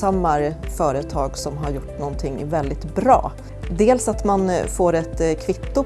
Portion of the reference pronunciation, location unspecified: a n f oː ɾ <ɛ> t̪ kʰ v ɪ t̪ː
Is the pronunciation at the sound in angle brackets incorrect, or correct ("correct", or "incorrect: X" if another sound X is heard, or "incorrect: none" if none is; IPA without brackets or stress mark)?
correct